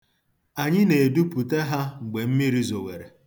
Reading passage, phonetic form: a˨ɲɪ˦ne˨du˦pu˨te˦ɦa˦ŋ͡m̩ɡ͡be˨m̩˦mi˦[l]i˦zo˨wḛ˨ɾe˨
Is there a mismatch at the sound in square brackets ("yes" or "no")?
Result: yes